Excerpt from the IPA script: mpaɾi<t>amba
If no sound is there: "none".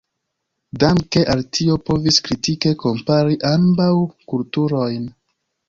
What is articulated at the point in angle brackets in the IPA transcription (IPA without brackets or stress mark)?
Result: ʔ